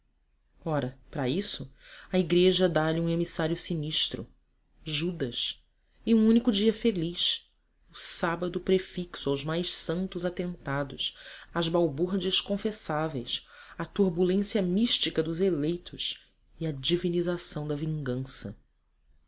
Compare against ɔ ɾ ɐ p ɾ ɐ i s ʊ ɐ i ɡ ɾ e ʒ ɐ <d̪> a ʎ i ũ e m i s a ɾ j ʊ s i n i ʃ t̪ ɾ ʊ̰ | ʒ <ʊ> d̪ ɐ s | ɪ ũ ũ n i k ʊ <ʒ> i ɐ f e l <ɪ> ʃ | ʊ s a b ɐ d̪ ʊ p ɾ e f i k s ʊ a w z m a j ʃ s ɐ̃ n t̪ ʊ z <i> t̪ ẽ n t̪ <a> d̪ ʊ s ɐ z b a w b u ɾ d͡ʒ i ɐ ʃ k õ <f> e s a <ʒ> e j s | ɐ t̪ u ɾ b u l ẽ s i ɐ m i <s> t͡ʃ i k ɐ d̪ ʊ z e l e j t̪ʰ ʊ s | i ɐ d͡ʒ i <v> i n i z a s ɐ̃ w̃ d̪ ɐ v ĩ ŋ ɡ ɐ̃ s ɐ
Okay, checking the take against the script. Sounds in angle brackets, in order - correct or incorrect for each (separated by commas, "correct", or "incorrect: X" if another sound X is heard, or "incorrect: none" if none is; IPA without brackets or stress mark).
correct, incorrect: u, incorrect: d͡ʒ, incorrect: i, incorrect: a, correct, correct, incorrect: v, incorrect: ʃ, correct